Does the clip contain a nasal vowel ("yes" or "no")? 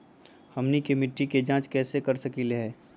yes